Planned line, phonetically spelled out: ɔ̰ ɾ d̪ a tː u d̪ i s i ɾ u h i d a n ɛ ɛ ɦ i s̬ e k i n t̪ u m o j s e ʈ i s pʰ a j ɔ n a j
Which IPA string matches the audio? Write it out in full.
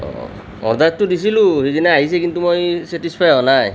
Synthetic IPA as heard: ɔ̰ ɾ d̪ a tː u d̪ i s i l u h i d i n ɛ a ɦ i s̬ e k i n t̪ u m o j s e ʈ i s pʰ a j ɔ n a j